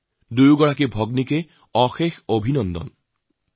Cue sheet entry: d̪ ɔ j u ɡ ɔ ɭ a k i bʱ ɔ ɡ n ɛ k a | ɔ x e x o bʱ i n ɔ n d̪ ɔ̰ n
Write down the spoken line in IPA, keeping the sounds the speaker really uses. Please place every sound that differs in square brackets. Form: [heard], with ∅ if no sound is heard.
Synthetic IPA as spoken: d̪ [u] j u ɡ ɔ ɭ a k i bʱ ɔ ɡ n [i] k [e] | ɔ x e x o bʱ i n ɔ n d̪ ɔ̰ n